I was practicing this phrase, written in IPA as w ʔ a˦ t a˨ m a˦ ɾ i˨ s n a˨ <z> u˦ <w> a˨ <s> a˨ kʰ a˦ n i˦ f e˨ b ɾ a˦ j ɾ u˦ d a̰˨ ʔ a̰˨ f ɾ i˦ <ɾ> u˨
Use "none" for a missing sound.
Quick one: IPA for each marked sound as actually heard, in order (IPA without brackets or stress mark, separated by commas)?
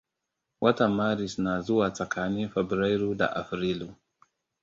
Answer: z, w, t͡s, l